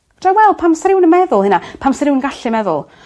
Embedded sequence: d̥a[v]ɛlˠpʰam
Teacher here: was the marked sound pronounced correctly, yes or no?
no